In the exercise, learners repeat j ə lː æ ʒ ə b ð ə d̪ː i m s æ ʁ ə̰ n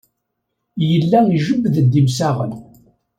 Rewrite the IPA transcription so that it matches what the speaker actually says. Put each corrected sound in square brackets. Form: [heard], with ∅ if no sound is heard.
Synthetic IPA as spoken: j ə lː æ ʒ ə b ð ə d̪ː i m s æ ʁ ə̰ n